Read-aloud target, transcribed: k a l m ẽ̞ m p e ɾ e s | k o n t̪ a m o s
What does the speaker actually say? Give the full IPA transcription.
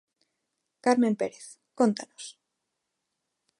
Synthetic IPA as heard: k a ɾ m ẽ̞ m p e ɾ e θ | k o n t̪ a n o s